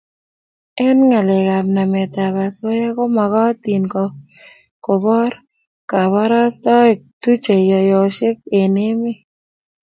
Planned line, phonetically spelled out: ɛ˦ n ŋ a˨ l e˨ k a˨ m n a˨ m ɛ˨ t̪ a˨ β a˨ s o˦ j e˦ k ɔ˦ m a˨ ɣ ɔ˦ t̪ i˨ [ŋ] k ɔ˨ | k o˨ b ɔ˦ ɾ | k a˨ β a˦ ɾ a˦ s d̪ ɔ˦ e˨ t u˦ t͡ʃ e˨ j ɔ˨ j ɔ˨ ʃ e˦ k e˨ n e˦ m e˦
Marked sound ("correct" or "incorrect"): incorrect